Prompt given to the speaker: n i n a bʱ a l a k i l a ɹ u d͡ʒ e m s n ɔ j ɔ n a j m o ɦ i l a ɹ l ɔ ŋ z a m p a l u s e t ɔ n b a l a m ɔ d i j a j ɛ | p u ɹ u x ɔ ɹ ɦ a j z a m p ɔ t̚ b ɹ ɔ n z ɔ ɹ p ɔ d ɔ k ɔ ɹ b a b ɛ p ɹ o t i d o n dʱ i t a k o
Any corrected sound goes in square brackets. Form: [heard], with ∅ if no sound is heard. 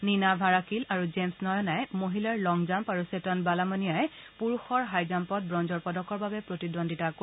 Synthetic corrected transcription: n i n a bʱ a [ɹ] a k i l a ɹ u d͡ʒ e m s n ɔ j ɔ n a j m o ɦ i l a ɹ l ɔ ŋ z a m p a [ɹ] u s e t ɔ n b a l a m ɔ [n] i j a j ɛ | p u ɹ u x ɔ ɹ ɦ a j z a m p ɔ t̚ b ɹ ɔ n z ɔ ɹ p ɔ d ɔ k ɔ ɹ b a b ɛ p ɹ o t i d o n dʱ i t a k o